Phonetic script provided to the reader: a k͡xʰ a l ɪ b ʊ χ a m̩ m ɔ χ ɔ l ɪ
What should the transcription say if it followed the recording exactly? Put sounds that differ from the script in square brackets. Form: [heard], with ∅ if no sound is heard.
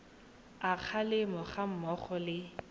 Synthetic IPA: a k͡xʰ a l ɪ [m] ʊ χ a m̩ m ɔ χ ɔ l ɪ